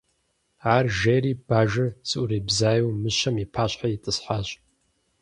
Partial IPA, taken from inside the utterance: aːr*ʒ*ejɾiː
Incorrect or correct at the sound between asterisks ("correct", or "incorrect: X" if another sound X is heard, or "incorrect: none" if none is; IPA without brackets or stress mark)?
correct